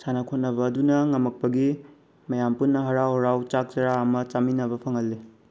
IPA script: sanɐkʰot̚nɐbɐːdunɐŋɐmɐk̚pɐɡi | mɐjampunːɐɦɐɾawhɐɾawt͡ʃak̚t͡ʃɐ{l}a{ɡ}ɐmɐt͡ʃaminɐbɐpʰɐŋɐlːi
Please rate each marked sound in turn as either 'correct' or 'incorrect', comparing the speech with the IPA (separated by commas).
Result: incorrect, incorrect